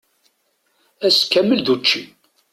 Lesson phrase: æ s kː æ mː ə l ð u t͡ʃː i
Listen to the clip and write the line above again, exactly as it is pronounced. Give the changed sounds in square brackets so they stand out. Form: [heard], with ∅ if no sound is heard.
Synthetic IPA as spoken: æ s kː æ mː ə l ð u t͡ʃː i